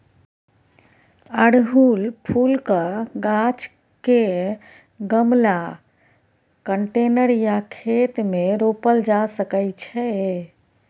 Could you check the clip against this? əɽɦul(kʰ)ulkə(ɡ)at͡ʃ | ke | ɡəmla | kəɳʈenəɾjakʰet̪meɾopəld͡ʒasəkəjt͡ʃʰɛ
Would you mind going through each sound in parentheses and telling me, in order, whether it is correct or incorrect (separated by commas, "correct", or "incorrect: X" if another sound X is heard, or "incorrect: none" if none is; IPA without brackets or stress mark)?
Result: incorrect: pʰ, correct